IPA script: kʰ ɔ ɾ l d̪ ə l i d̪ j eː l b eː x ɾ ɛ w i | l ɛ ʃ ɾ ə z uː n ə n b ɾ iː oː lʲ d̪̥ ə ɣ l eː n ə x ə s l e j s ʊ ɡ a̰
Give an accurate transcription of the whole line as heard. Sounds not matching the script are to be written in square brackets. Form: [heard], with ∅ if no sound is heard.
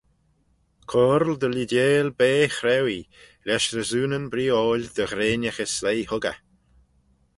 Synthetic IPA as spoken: kʰ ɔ ɾ l d̪ ə l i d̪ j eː l b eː x ɾ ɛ w i | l ɛ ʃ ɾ ə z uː n ə n b ɾ iː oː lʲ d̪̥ ə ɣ [ɾ] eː n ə x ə s l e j [h] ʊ ɡ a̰